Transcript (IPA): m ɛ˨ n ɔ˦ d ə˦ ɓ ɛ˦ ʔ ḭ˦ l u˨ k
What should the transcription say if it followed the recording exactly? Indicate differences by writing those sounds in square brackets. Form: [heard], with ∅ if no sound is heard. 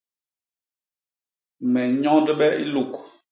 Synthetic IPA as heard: m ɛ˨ [ɲ] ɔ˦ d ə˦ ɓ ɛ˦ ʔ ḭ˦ l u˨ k